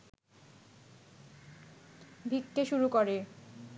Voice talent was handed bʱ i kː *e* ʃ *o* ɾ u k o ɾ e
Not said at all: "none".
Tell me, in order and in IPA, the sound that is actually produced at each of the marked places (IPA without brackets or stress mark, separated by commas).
e, u